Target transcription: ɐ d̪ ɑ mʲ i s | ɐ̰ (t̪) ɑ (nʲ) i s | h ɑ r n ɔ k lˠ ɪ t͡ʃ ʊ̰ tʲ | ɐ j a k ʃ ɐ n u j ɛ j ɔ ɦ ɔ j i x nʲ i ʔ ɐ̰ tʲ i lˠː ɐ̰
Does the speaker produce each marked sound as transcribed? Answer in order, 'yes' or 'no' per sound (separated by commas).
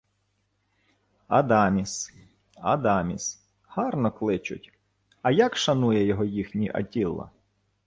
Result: no, no